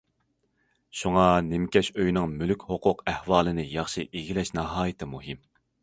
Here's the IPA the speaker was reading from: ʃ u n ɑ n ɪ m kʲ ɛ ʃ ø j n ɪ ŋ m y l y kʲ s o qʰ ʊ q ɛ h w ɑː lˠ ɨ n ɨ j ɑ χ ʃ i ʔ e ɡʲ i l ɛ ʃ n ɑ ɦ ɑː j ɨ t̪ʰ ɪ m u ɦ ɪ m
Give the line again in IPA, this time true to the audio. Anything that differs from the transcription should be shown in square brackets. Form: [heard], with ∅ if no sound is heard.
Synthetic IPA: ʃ u [ŋ] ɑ n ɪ m kʲ ɛ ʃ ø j n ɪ ŋ m y l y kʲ [h] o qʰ ʊ q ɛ h w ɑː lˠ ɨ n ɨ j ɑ χ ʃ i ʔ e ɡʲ i l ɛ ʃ n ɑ ɦ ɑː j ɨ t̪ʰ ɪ m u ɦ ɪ m